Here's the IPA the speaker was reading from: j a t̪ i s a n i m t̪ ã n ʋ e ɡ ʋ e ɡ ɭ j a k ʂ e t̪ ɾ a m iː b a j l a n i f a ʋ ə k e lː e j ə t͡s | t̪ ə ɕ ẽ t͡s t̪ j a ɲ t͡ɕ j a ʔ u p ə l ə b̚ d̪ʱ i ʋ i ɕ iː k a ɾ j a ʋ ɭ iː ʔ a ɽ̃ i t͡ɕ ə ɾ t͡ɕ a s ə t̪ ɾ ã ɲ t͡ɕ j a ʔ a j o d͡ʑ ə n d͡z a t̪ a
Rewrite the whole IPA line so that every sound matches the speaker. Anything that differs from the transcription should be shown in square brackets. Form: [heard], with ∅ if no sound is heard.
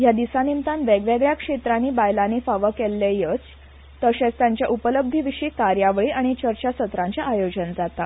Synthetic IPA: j a [d̪] i s a n i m t̪ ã n ʋ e ɡ ʋ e ɡ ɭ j a k ʂ e t̪ ɾ a [n] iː b a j l a n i f a ʋ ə k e lː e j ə t͡s | t̪ ə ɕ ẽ t͡s t̪ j a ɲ t͡ɕ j a ʔ u p ə l ə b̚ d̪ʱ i ʋ i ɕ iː k a ɾ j a ʋ ɭ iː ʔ a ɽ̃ i t͡ɕ ə ɾ t͡ɕ a s ə t̪ ɾ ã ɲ t͡ɕ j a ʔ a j o d͡ʑ ə n d͡z a t̪ a